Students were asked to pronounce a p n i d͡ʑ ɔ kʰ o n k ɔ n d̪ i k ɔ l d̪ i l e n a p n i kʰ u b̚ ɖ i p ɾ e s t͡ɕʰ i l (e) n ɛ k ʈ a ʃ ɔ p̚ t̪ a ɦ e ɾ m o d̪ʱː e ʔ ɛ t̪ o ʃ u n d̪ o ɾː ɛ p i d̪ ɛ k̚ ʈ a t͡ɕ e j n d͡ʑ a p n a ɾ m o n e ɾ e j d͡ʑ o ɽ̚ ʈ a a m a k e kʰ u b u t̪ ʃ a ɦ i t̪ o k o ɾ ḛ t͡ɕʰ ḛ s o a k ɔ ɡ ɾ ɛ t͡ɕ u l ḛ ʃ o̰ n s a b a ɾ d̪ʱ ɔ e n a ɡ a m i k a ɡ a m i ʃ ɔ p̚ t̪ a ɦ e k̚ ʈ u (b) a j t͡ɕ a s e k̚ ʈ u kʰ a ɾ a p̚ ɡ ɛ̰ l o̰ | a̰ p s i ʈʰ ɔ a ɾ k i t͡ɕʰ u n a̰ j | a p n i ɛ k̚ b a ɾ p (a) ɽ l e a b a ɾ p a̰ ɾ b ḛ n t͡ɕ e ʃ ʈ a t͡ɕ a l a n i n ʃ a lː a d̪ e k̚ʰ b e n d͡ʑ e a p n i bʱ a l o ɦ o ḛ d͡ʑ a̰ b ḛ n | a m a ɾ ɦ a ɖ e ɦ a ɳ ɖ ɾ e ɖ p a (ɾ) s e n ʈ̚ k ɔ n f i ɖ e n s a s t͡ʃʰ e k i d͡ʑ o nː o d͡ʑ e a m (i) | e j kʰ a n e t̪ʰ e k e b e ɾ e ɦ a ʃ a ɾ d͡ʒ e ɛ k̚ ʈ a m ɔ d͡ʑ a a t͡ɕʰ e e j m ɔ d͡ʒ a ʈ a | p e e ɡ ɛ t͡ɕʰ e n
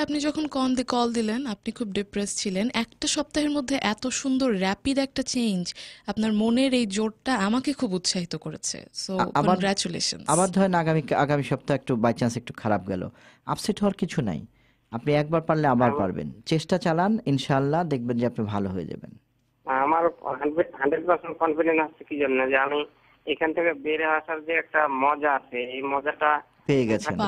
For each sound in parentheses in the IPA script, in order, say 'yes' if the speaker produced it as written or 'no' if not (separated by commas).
yes, yes, yes, yes, yes